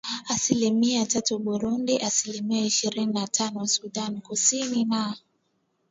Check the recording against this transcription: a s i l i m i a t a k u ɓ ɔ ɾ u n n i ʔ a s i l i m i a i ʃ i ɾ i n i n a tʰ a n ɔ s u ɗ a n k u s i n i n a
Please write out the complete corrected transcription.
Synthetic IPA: a s i l i m i a t a t u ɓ u ɾ u n d i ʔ a s i l i m i a i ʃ i ɾ i n i n a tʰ a n ɔ s u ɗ a n k u s i n i n a